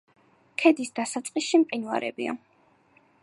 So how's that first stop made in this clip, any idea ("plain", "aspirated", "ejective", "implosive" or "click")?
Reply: aspirated